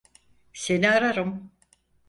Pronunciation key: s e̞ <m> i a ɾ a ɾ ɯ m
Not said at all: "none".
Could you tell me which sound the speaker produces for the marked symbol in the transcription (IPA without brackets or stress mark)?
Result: n